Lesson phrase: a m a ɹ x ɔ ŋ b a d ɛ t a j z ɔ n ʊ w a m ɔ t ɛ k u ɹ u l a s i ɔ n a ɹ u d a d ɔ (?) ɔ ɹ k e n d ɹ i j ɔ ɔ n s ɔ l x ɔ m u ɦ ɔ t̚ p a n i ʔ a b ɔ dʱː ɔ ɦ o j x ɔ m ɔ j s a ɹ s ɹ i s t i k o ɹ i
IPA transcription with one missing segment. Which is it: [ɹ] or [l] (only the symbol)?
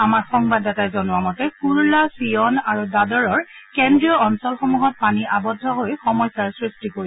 ɹ